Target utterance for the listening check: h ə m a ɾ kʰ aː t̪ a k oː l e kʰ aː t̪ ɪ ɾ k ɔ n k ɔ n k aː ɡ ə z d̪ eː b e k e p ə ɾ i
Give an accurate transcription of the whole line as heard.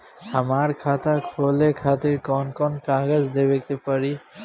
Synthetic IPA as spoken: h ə m a ɾ kʰ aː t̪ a kʰ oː l e kʰ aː t̪ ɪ ɾ k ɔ n k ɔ n k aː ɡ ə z d̪ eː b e k e p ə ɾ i